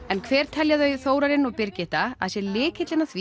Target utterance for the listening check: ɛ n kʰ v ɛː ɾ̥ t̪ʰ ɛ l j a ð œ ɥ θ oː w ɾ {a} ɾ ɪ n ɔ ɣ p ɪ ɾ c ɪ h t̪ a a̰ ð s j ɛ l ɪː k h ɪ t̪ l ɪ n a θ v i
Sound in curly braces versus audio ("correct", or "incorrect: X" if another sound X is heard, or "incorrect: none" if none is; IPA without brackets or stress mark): correct